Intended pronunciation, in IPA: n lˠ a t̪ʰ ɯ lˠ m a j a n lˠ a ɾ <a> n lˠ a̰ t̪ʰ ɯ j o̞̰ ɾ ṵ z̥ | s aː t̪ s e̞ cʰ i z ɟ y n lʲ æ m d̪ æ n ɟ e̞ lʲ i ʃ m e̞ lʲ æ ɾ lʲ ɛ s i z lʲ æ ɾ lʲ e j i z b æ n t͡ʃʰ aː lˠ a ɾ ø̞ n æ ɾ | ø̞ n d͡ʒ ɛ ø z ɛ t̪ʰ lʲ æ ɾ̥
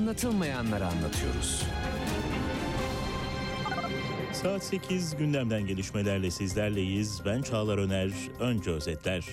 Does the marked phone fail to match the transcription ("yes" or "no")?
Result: no